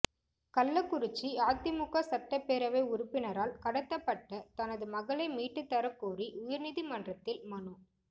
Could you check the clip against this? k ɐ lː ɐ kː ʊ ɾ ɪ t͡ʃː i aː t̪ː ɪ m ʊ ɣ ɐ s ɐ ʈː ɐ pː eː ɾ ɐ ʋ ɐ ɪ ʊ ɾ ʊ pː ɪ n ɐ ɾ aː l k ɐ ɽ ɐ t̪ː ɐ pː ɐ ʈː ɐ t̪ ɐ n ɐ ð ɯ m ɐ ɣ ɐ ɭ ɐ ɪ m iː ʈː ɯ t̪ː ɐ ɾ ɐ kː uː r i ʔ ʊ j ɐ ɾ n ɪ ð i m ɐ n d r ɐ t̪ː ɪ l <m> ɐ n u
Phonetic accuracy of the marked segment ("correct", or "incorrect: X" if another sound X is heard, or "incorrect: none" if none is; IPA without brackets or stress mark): correct